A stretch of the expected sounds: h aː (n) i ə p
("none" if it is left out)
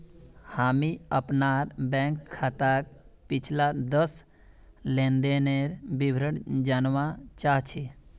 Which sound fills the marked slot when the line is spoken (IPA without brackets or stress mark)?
m